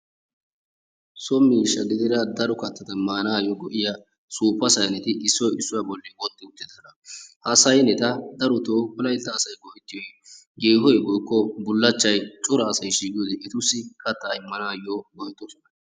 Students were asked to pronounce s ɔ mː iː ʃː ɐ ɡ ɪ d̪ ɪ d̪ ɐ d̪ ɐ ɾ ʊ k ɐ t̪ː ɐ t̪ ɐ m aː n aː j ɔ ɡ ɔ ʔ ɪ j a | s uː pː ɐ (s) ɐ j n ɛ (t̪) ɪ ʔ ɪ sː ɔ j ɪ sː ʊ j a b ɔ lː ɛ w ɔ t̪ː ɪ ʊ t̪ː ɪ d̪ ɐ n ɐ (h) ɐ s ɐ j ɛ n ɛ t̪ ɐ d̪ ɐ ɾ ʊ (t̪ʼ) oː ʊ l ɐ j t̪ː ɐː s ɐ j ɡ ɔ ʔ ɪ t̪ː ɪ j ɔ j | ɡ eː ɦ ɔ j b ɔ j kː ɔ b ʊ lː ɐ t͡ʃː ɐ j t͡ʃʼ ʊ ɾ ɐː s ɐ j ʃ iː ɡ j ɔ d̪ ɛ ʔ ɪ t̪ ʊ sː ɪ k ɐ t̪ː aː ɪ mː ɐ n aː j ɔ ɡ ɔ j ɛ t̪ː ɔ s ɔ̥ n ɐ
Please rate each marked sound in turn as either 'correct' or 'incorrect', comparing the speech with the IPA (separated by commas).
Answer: correct, correct, correct, incorrect